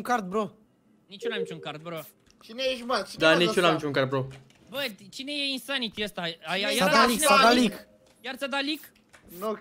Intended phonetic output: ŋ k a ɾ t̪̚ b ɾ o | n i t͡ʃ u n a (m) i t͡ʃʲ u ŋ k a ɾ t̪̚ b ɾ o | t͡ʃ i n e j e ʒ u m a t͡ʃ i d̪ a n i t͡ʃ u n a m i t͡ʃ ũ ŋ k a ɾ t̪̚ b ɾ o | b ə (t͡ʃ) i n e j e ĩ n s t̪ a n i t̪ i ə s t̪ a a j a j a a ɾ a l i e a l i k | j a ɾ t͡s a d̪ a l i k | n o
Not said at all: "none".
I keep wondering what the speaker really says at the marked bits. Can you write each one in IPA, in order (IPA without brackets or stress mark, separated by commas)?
m, t͡ʃ